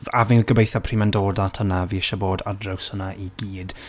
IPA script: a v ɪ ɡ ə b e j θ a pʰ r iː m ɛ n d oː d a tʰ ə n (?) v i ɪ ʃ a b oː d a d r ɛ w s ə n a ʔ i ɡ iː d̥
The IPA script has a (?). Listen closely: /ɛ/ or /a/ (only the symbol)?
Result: a